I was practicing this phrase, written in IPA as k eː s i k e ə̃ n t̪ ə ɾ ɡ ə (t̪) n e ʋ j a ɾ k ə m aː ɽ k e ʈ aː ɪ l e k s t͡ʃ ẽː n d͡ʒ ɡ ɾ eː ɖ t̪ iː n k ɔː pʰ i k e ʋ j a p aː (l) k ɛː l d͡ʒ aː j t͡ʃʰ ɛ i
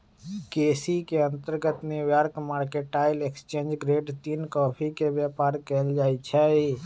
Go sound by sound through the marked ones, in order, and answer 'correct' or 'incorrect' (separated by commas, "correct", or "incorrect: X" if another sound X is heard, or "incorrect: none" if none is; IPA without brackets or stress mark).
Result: correct, incorrect: ɾ